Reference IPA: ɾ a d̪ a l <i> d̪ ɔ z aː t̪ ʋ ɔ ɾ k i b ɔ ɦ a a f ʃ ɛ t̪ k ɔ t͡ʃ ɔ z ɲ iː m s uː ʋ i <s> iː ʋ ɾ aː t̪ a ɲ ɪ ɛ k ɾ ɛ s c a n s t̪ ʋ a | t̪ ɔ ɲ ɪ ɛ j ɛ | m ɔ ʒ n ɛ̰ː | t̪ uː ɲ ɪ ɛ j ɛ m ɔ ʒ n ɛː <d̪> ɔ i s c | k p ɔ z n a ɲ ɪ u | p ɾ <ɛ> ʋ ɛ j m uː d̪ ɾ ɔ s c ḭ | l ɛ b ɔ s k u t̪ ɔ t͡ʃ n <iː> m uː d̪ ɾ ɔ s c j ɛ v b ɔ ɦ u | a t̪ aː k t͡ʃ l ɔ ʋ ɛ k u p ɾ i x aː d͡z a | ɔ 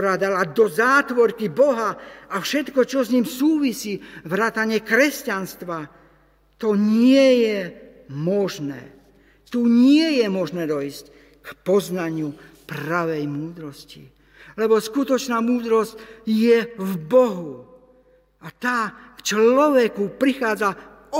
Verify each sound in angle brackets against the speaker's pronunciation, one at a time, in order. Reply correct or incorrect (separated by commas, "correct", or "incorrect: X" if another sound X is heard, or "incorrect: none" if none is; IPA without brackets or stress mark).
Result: incorrect: a, correct, correct, incorrect: a, incorrect: aː